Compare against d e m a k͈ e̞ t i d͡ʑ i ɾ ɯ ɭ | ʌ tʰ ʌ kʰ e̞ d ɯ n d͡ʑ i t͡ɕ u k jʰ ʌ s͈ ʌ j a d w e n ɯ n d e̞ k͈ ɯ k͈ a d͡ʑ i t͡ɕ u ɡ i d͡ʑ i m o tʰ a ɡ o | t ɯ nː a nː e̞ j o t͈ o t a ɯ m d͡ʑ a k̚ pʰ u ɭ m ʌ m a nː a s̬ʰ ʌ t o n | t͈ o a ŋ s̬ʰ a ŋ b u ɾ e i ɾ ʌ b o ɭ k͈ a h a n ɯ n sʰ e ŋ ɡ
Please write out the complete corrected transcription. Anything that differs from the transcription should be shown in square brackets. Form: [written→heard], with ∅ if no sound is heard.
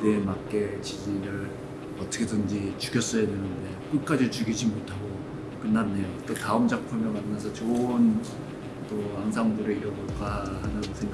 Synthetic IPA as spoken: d e m a k͈ e̞ [t→t͡ɕ] i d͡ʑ i ɾ ɯ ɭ | ʌ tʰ ʌ kʰ e̞ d ɯ n d͡ʑ i t͡ɕ u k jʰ ʌ s͈ ʌ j a d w e n ɯ n d e̞ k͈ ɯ k͈ a d͡ʑ i t͡ɕ u ɡ i d͡ʑ i m o tʰ a ɡ o | [t→k] ɯ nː a nː e̞ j o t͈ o t a ɯ m d͡ʑ a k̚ pʰ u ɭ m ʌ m a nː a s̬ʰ ʌ [t→t͡ɕ] o n | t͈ o a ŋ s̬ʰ a ŋ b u ɾ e i ɾ ʌ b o ɭ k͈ a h a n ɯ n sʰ e ŋ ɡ